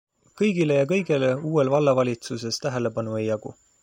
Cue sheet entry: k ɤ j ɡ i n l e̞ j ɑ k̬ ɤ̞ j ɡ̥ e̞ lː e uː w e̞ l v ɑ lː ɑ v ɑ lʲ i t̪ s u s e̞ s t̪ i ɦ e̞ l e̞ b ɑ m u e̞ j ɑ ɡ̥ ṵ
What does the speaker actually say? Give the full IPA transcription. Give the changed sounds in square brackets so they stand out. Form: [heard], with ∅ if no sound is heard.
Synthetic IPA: k ɤ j ɡ i [∅] l e̞ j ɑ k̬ ɤ̞ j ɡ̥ e̞ [l] e uː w e̞ l v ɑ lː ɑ v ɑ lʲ i t̪ s u s e̞ s t̪ [æ] ɦ e̞ l e̞ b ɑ [n] u e̞ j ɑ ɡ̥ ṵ